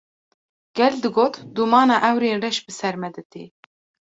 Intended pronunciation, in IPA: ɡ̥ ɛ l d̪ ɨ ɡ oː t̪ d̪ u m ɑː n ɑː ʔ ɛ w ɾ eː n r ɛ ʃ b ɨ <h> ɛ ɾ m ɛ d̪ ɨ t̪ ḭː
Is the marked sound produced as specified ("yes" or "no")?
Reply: no